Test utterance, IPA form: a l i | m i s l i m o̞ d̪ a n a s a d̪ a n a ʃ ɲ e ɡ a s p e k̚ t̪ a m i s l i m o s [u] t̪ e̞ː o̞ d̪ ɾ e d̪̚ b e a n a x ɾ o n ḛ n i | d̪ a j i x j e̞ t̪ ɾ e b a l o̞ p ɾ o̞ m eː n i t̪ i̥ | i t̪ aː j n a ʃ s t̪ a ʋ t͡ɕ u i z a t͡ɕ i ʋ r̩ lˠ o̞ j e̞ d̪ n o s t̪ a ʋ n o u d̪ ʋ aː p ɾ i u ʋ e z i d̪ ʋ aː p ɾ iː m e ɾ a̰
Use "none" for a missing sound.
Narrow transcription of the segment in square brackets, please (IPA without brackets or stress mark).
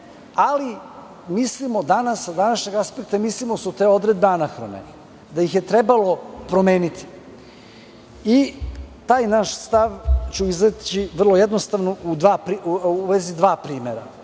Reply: u